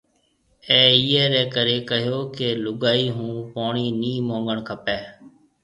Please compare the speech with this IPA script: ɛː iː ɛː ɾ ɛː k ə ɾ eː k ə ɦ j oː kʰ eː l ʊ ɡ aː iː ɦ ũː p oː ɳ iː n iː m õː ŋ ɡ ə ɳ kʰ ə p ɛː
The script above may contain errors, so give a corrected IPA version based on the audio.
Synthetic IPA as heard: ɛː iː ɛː ɾ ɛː k ə ɾ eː k ə ɦ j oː k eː l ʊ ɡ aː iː ɦ ũː p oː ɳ iː n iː m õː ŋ ɡ ə ɳ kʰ ə p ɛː